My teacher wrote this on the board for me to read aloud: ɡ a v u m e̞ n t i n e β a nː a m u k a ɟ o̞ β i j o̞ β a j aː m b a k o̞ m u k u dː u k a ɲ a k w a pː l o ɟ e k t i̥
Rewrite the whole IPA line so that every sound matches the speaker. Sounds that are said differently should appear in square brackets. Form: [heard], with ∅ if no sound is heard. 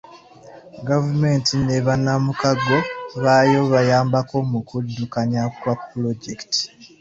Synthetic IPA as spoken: ɡ a v u m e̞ n t i n e β a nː a m u k a [ɡ] o̞ β [a] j o̞ β a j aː m b a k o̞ m u k u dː u k a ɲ a k w a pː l o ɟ e k t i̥